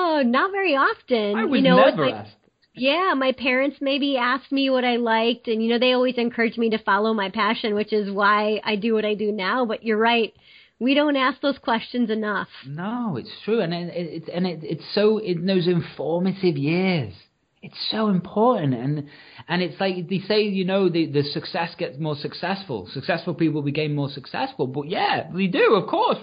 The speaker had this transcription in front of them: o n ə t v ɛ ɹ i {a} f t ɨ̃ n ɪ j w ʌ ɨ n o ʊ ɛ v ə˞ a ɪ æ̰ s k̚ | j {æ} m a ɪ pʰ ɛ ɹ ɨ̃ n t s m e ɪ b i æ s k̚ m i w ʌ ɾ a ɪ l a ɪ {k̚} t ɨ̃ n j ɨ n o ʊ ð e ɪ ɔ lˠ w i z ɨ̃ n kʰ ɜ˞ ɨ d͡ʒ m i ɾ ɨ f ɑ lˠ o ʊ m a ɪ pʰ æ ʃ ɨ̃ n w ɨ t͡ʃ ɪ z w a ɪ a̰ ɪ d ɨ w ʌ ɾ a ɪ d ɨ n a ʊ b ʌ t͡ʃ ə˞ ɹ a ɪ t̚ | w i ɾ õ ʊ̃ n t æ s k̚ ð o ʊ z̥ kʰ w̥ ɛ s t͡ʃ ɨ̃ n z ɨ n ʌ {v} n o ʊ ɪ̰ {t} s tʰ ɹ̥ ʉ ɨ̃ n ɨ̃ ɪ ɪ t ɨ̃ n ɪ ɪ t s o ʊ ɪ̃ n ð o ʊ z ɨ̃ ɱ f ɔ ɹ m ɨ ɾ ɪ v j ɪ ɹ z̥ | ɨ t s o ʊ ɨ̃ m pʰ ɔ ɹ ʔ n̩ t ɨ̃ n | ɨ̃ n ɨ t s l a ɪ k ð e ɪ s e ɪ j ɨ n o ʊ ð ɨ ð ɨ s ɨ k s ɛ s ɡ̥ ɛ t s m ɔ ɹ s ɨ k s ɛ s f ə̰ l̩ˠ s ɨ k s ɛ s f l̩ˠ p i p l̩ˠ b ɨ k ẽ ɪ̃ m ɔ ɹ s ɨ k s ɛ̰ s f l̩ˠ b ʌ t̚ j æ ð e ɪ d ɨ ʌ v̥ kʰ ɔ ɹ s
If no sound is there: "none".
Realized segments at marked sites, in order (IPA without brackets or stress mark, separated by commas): ɑ, æ, k̚, f, t